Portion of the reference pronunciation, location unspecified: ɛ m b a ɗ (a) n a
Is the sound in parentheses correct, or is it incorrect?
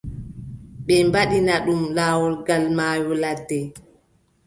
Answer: incorrect